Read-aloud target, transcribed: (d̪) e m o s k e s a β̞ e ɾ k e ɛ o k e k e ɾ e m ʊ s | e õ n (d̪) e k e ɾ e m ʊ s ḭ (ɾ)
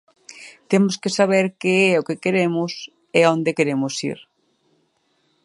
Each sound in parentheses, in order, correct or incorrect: incorrect: t̪, correct, correct

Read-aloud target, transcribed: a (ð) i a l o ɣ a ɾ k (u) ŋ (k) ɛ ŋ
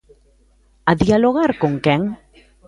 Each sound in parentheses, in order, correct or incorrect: correct, incorrect: o, correct

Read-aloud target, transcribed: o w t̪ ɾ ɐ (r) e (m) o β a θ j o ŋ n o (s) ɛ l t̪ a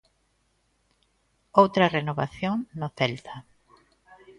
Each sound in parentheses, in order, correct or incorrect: correct, incorrect: n, incorrect: θ

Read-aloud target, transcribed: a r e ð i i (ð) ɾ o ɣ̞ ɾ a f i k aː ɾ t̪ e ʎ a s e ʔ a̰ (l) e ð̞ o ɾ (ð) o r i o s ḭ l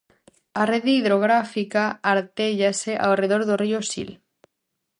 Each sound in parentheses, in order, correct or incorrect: correct, incorrect: r, correct

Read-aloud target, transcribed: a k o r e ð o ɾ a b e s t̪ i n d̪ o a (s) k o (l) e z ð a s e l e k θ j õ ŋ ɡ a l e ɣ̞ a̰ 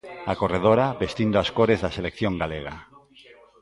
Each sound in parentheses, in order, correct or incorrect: correct, incorrect: ɾ

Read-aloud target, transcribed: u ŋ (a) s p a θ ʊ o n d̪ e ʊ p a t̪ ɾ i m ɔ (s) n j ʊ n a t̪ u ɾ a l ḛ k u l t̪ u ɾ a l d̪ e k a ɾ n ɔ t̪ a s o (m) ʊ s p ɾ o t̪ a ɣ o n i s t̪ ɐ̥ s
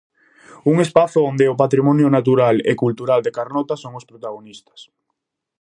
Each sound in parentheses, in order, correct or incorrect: incorrect: e, incorrect: none, incorrect: ŋ

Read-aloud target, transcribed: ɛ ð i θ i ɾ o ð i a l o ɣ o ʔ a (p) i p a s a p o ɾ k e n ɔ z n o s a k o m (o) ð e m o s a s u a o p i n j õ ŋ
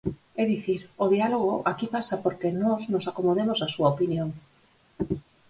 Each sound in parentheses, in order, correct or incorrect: incorrect: k, correct

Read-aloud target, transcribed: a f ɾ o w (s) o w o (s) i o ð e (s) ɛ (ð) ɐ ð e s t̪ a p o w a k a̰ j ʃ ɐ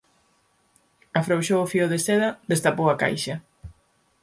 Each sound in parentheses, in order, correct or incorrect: incorrect: ʃ, incorrect: f, correct, correct

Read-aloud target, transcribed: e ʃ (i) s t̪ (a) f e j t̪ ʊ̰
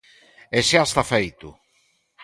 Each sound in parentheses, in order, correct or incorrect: incorrect: a, correct

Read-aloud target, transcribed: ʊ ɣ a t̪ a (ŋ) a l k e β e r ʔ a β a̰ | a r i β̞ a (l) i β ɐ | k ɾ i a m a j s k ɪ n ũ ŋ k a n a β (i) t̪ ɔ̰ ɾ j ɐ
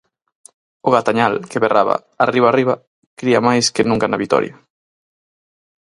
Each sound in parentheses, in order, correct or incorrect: incorrect: ɲ, incorrect: r, correct

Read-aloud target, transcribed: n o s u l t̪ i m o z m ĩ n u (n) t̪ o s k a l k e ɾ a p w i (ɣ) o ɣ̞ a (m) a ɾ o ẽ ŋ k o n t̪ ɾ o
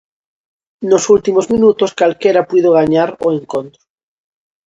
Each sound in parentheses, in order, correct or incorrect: incorrect: none, incorrect: ð, incorrect: ɲ

